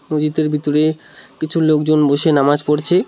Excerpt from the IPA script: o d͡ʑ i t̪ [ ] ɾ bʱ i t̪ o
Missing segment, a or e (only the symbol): e